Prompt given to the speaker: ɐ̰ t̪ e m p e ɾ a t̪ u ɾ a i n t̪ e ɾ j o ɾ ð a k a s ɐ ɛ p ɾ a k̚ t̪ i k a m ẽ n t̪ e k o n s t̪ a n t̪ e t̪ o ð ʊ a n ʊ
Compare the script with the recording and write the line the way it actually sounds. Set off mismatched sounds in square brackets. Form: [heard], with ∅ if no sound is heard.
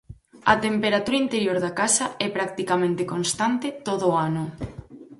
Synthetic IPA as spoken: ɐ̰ t̪ e m p e ɾ a t̪ u ɾ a i n t̪ e ɾ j o ɾ ð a k a s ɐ ɛ p ɾ a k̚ t̪ i k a m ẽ n t̪ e k o n s t̪ a n t̪ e t̪ o ð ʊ a n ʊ